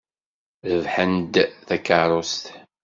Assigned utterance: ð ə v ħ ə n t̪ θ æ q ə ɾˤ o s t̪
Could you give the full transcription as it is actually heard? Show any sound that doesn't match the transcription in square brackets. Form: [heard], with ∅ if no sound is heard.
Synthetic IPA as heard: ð ə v ħ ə n [d̪] θ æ [k] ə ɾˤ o s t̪